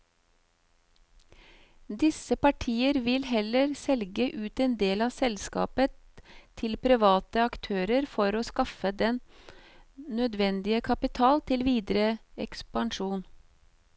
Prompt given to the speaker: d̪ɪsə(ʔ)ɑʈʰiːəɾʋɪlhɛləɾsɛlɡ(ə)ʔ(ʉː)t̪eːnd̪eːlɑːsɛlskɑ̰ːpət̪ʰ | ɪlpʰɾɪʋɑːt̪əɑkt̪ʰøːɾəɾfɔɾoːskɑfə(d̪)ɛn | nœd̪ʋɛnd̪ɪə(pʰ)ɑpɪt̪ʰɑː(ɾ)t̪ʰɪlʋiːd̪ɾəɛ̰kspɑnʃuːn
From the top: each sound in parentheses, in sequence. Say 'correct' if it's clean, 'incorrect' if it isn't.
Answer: incorrect: p, correct, correct, correct, incorrect: kʰ, incorrect: l

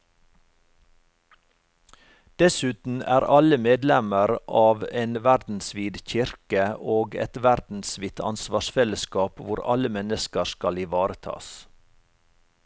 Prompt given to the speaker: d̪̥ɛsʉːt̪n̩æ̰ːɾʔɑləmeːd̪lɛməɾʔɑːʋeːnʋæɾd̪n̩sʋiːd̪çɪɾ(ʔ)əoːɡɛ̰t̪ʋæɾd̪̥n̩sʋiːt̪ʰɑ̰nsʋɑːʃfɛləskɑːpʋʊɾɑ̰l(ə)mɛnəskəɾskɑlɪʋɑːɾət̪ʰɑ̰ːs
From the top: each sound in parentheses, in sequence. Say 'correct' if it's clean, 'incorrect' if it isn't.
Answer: incorrect: k, correct

